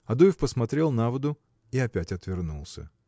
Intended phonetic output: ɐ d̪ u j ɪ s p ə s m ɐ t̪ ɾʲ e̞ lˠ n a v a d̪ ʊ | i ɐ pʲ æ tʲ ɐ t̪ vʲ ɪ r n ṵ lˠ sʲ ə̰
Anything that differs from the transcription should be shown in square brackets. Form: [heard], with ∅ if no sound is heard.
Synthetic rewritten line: ɐ d̪ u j ɪ [f] p ə s m ɐ t̪ ɾʲ e̞ lˠ n a v [ə] d̪ ʊ | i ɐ pʲ æ tʲ ɐ t̪ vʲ ɪ r n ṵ lˠ sʲ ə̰